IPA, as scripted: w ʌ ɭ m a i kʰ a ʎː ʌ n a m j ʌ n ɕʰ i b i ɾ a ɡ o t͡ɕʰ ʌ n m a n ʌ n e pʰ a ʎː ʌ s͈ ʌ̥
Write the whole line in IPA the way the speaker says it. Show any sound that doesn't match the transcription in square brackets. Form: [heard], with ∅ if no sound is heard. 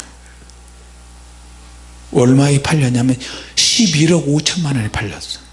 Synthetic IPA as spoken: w ʌ ɭ m a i [pʰ] a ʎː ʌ [ɲ] a m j ʌ n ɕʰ i b i ɾ [ʌ] ɡ o t͡ɕʰ ʌ n m a n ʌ n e pʰ a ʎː ʌ s͈ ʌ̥